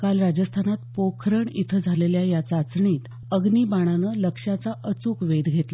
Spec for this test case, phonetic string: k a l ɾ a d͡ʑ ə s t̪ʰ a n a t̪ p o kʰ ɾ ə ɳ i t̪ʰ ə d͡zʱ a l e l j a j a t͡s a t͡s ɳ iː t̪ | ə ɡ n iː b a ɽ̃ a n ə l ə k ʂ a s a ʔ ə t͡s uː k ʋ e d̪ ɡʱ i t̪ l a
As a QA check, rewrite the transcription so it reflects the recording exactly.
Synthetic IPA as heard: k a l ɾ a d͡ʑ ə s t̪ʰ a n a t̪ p o kʰ ɾ ə ɳ i t̪ʰ ə d͡zʱ a l e l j a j a t͡s a t͡s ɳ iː t̪ | ə ɡ n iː b a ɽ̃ a n ə l ə k ʂ a t͡s a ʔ ə t͡s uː k ʋ e d̪ ɡʱ e t̪ l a